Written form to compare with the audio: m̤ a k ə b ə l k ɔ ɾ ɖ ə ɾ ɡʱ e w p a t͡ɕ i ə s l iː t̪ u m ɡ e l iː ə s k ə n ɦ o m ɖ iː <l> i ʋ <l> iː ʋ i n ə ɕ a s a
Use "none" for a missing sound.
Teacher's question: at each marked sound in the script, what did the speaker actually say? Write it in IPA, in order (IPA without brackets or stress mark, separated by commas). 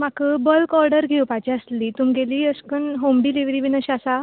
l, ɾ